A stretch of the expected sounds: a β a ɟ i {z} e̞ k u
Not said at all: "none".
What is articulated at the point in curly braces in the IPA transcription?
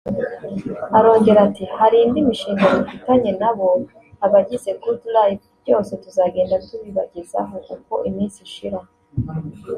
z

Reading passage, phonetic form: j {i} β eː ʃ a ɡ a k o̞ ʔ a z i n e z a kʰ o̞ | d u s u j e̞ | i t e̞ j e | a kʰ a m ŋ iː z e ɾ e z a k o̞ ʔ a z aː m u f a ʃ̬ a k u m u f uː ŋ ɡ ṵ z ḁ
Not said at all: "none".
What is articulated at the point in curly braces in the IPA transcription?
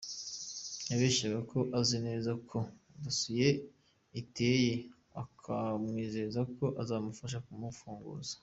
a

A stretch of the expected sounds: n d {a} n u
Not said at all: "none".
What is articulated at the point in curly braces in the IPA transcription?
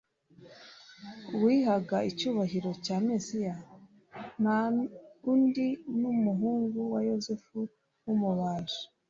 i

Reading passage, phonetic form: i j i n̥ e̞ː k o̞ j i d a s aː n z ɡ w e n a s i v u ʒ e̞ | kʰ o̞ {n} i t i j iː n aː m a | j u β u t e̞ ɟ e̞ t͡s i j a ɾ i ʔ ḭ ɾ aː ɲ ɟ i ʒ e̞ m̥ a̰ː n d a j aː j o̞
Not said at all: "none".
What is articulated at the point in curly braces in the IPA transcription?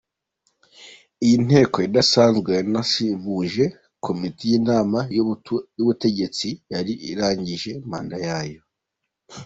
m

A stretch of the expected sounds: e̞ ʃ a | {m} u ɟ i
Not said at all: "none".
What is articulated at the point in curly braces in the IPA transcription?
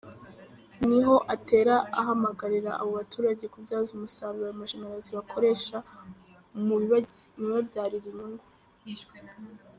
m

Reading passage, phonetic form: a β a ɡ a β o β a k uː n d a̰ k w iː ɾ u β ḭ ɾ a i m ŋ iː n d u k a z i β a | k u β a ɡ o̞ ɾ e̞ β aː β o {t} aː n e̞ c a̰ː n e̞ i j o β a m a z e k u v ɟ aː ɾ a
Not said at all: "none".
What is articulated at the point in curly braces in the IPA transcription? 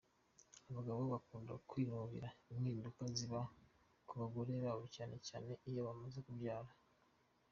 c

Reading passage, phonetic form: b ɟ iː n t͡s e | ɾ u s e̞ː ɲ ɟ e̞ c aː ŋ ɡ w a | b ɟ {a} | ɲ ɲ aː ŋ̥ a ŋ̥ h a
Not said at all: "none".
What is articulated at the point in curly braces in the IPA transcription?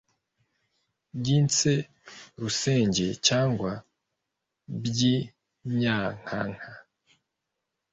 i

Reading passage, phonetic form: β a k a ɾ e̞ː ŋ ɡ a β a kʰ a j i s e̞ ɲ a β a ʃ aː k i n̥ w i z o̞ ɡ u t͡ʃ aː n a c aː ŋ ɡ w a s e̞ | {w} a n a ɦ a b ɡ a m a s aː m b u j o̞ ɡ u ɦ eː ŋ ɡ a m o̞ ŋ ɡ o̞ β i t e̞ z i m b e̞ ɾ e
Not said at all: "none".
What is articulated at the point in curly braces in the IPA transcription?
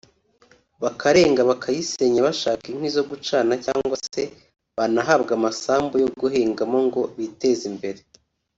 β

